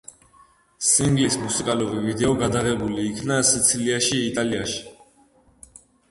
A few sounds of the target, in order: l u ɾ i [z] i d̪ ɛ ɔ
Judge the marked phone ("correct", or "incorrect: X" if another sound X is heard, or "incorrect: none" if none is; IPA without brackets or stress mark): incorrect: v